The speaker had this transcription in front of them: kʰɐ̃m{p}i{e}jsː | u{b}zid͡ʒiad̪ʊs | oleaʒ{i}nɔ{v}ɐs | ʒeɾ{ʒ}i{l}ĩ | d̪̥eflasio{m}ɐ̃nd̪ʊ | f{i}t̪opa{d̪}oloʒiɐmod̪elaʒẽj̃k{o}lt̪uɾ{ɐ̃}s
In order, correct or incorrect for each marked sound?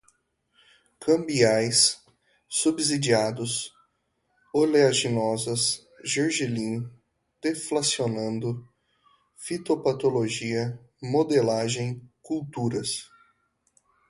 incorrect: b, incorrect: a, correct, correct, incorrect: z, correct, correct, incorrect: n, correct, incorrect: t̪, incorrect: u, incorrect: ɐ

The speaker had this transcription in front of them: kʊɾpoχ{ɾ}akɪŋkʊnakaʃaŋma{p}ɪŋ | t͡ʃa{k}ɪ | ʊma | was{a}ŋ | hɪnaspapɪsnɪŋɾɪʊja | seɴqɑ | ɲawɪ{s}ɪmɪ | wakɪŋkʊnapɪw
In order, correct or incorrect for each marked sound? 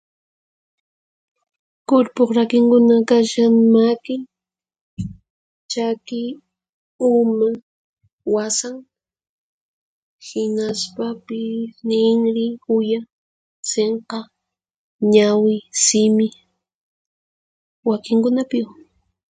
correct, incorrect: k, correct, correct, correct

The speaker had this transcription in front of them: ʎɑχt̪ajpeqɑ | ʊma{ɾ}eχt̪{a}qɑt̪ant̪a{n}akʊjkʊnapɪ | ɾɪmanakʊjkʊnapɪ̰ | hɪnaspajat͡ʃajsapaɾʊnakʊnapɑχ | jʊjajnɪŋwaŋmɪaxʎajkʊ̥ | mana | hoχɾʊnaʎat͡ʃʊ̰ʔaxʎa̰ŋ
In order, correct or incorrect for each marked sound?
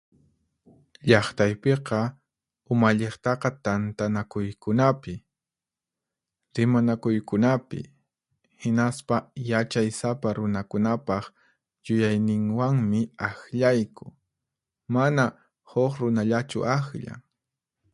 incorrect: ʎ, incorrect: ɑ, correct

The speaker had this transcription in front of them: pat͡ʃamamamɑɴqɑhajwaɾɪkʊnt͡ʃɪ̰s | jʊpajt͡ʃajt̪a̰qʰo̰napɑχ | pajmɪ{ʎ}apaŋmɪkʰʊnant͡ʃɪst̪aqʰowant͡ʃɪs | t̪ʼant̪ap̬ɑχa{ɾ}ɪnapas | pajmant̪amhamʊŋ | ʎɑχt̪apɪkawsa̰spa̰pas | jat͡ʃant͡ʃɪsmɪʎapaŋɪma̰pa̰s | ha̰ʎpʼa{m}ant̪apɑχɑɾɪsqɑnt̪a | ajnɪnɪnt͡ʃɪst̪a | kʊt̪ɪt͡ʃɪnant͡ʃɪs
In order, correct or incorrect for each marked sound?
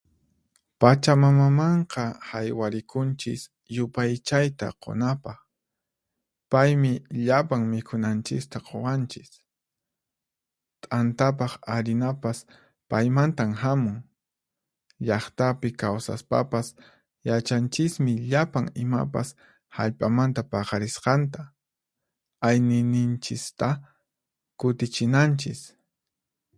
correct, correct, correct

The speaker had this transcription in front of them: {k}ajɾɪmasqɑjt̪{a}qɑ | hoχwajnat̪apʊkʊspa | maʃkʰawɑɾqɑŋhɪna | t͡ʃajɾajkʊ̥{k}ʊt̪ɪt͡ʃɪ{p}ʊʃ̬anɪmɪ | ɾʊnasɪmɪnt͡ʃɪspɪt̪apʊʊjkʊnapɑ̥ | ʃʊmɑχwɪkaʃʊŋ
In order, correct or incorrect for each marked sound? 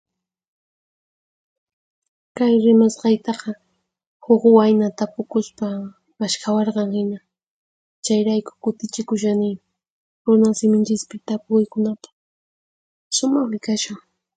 correct, incorrect: ɑ, correct, incorrect: k

